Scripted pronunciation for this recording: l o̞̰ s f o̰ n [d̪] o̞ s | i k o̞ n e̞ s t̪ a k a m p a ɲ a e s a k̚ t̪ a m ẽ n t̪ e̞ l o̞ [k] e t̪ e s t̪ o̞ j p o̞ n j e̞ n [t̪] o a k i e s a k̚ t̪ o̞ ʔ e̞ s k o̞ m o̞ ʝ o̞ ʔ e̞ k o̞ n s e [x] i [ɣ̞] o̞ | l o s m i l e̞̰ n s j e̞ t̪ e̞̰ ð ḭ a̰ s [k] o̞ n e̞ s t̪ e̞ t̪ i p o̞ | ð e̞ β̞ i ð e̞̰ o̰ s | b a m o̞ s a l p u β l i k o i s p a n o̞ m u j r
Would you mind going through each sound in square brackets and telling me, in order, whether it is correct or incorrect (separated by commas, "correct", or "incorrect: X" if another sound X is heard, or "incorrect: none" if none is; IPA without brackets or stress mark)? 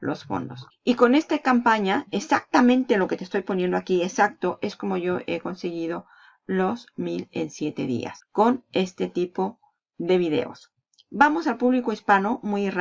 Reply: correct, correct, incorrect: d̪, incorrect: ɣ, incorrect: ð̞, correct